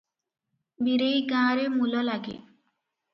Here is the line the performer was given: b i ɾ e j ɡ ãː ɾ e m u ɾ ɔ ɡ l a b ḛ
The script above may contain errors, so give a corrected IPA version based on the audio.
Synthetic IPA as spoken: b i ɾ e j ɡ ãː ɾ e m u l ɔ l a ɡ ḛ